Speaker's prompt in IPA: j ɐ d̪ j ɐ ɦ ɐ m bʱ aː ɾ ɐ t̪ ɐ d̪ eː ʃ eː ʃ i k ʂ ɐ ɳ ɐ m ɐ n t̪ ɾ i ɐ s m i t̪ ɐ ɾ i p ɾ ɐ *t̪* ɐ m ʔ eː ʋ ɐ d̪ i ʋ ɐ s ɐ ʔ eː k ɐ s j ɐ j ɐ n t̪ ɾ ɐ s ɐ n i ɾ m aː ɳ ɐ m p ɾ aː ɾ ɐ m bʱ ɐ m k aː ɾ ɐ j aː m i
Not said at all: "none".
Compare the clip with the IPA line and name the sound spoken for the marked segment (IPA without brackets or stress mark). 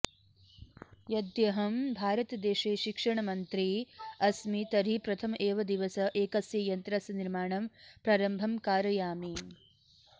t̪ʰ